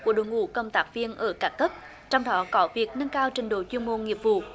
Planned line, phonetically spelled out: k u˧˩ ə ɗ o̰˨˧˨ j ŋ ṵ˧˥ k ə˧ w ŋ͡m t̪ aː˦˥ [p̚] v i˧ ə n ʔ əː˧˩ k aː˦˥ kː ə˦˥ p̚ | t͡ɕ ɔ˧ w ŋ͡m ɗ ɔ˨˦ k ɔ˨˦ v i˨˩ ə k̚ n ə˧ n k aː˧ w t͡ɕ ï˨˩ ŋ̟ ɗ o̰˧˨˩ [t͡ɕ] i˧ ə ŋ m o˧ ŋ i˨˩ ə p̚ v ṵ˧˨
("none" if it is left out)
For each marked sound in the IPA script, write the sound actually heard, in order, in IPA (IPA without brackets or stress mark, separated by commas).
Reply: k̚, t͡ɕ